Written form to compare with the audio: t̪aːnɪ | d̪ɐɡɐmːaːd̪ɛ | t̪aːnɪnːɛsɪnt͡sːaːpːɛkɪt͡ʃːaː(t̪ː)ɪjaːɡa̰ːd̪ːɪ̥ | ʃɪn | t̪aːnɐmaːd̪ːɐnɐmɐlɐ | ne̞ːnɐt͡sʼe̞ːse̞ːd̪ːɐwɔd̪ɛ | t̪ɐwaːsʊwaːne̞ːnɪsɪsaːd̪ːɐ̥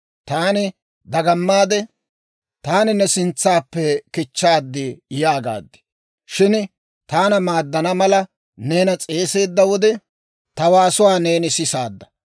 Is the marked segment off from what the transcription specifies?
yes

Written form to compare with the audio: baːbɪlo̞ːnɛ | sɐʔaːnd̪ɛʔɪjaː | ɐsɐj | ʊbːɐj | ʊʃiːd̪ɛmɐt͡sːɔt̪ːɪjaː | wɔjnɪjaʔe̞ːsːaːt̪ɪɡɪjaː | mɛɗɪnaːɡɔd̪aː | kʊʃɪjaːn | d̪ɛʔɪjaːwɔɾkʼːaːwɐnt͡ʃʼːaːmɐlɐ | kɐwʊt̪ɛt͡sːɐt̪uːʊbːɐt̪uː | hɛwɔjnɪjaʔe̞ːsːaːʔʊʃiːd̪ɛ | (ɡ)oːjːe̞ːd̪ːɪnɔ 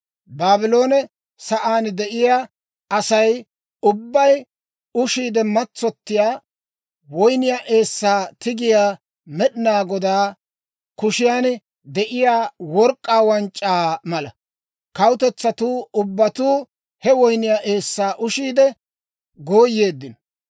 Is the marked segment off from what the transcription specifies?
no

